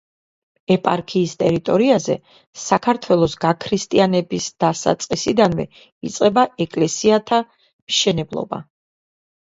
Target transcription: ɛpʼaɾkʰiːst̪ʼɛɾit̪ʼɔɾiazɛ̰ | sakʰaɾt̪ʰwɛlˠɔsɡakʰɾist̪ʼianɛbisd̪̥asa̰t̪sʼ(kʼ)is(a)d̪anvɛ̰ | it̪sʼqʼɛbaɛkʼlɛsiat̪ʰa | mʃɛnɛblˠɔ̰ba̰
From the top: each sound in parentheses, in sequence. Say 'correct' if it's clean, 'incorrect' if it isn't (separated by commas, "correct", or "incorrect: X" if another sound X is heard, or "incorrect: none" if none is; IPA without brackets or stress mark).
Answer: incorrect: qʼ, incorrect: i